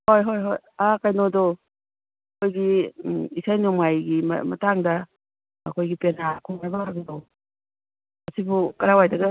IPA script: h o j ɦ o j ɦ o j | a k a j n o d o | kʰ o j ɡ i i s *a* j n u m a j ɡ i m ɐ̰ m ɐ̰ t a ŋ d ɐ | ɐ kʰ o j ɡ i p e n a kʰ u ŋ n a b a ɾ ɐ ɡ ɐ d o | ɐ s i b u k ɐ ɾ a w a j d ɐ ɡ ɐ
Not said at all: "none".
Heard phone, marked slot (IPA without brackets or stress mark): a